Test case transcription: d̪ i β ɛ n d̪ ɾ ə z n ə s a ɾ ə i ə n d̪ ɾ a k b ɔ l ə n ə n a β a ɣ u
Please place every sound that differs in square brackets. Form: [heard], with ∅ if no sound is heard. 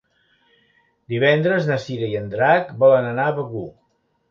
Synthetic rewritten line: d̪ i β ɛ n d̪ ɾ ə z n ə s [i] ɾ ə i ə n d̪ ɾ a k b ɔ l ə n ə n a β [ə] ɣ u